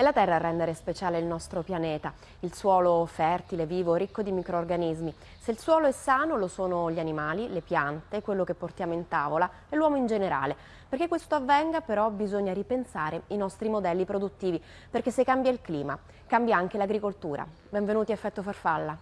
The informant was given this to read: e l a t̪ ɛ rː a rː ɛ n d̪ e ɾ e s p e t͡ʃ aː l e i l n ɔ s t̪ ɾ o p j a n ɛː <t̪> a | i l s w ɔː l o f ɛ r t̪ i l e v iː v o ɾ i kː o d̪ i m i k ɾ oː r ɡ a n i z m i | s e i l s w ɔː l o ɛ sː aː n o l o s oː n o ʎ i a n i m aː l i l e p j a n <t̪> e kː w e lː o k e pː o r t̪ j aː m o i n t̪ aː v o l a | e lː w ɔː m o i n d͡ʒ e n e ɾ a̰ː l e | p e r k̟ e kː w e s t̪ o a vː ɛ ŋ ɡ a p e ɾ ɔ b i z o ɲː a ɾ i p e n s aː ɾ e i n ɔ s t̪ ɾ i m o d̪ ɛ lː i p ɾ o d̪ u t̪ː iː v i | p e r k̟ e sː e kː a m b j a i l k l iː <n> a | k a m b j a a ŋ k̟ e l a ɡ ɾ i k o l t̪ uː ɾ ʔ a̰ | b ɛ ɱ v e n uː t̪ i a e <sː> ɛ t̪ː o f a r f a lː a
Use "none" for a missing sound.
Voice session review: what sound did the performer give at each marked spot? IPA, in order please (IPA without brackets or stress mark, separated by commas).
t̪, t̪, m, fː